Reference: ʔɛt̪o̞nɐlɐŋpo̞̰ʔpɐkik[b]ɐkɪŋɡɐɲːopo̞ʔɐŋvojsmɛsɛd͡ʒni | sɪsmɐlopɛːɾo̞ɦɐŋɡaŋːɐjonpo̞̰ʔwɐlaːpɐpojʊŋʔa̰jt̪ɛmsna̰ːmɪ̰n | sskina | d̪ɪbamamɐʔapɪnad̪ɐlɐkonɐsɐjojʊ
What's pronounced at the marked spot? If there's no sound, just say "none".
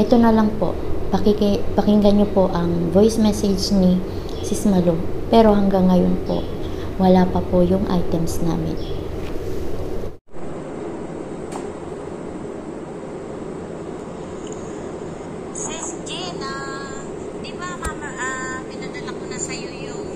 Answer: p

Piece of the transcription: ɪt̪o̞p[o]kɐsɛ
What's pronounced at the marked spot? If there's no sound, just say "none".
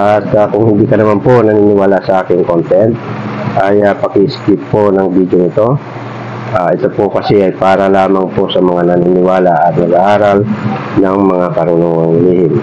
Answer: o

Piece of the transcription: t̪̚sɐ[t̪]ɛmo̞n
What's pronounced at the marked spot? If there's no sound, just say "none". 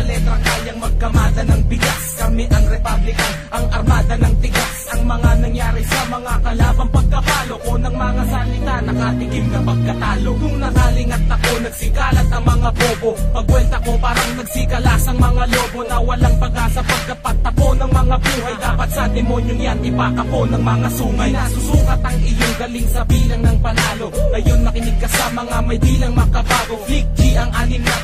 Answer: d̪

